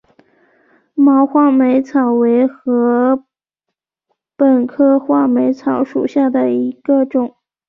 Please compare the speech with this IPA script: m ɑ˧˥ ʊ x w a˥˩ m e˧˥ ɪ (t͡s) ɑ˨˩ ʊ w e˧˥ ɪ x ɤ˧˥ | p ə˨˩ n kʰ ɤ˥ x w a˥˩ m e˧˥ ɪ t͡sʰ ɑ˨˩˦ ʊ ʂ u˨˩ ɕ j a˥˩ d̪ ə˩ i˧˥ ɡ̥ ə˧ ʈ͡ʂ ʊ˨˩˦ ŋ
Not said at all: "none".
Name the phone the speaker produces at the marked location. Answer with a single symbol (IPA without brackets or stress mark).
t͡sʰ